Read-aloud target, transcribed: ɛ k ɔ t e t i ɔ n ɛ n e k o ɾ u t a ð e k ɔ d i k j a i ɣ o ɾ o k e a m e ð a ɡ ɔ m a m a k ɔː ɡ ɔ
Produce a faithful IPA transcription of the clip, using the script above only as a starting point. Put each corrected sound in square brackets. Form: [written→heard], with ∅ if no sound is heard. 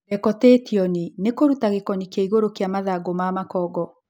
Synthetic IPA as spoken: ɛ k ɔ t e t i ɔ n [ɛ→i] n e k o ɾ u t a [ð→ɣ] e k ɔ [d→n] i k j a i ɣ o ɾ o k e a m [e→a] ð a ɡ [ɔ→o] m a m a k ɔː ɡ ɔ

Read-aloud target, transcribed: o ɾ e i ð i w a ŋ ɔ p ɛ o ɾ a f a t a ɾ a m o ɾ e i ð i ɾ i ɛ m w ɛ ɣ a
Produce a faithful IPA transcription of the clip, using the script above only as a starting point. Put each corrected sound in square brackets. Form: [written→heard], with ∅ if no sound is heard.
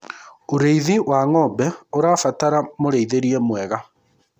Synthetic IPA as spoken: o ɾ e i ð i w a ŋ ɔ [p→b] ɛ o ɾ a f a t a ɾ a m o ɾ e i ð [i→e] ɾ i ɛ m w ɛ ɣ a

